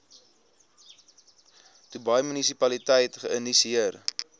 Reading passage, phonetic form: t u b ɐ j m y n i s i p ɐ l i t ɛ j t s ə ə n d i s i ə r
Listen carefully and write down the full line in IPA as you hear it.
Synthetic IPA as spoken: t u b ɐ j m y n i s i p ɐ l i t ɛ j t χ ə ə n d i s i ə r